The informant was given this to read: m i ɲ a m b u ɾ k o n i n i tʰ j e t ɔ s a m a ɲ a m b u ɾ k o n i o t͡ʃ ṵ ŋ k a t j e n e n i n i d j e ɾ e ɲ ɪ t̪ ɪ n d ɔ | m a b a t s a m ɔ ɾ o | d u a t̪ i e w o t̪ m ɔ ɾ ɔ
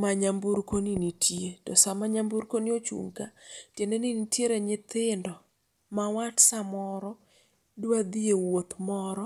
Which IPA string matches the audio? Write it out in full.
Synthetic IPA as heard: m a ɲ a m b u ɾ k o n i n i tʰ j e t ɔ s a m a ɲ a m b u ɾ k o n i o t͡ʃ ṵ ŋ k a t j e n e n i n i t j e ɾ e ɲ ɪ t̪ ɪ n d ɔ | m a w a t s a m ɔ ɾ ɔ | d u a d̪ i e w o t̪ m ɔ ɾ ɔ